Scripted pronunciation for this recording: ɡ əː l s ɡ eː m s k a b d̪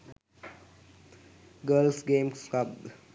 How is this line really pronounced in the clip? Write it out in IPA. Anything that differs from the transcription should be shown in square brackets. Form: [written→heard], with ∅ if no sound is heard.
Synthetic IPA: ɡ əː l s ɡ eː m s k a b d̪